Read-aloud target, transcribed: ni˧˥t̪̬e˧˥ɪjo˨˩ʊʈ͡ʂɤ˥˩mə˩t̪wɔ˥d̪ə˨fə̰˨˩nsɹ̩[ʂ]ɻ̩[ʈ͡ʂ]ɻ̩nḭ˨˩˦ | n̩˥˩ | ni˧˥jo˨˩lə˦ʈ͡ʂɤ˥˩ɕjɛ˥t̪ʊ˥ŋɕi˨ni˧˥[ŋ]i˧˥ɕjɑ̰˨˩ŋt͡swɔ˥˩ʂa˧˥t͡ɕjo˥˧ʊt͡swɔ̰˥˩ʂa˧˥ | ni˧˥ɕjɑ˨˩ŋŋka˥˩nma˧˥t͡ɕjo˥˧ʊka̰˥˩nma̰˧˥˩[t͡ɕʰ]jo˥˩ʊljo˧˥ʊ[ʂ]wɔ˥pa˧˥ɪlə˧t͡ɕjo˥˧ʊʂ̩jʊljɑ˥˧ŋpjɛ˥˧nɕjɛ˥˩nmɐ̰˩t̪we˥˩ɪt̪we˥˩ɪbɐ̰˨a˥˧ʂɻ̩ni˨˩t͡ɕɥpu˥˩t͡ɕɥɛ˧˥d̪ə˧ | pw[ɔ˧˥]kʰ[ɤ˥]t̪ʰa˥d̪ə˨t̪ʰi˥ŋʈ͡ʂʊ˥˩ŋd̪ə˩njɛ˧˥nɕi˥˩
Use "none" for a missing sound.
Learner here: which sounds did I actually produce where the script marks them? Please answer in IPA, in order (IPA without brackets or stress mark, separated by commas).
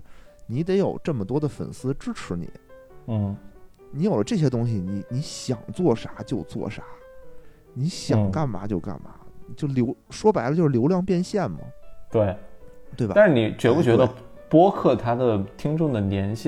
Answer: ʈ͡ʂ, ʈ͡ʂʰ, n, t͡ɕ, ʂ, ɔ˥, ɤ˥˩